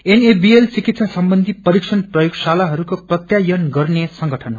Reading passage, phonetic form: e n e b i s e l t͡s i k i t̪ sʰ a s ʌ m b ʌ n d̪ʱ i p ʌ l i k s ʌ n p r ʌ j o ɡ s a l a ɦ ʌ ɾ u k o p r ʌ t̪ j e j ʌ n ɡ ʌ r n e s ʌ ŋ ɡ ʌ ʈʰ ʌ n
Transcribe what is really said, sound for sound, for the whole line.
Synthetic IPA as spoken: e n e b i e l t͡s i k i t̪ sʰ a s ʌ m b ʌ n d̪ʱ i p ʌ ɾ i k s ʌ n p r ʌ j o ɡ s a l a ɦ ʌ ɾ u k o p r ʌ t̪ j a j ʌ n ɡ ʌ r n e s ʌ ŋ ɡ ʌ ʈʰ ʌ n